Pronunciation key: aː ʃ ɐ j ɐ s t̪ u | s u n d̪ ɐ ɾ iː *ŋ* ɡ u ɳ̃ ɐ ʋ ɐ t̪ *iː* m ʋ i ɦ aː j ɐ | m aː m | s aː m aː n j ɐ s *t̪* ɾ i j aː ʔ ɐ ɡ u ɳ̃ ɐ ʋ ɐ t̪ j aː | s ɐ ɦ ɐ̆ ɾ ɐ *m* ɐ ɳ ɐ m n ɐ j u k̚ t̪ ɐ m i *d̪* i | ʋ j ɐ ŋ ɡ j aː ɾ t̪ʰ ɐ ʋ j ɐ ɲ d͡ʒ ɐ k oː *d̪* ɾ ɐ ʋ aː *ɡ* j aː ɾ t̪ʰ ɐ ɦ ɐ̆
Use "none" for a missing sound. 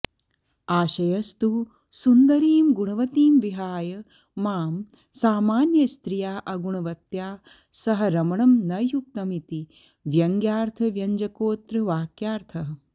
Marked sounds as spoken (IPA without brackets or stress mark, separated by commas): m, iː, t̪, m, t̪, t̪, k